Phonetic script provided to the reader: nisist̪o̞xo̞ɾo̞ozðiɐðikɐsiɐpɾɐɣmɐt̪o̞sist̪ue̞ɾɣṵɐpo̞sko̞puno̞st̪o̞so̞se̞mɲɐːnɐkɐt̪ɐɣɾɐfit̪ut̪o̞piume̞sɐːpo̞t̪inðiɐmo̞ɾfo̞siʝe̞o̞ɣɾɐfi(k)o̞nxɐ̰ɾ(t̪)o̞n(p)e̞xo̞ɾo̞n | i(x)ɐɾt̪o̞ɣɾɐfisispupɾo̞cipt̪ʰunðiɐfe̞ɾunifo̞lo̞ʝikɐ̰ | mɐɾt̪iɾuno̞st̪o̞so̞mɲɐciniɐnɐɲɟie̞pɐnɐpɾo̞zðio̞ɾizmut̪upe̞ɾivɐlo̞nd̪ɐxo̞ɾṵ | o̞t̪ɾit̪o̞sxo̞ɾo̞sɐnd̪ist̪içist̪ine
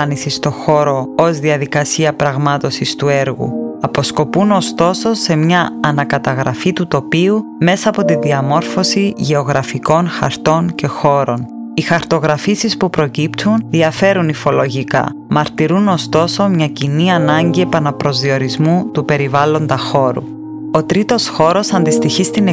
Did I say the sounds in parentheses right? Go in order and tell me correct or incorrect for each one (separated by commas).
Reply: correct, correct, incorrect, correct